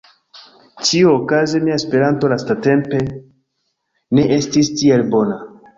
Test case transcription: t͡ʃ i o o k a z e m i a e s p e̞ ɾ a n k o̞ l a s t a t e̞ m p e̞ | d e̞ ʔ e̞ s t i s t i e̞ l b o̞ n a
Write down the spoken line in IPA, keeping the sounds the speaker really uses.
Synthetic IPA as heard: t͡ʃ i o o k a z e m i a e s p e̞ ɾ a n t o̞ l a s t a t e̞ m p e̞ | n e̞ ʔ e̞ s t i s t i e̞ l b o̞ n a